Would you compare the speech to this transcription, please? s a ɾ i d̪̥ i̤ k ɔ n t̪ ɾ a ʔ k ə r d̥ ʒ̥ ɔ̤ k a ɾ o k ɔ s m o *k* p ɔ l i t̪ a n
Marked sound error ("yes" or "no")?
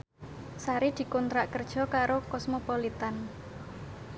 yes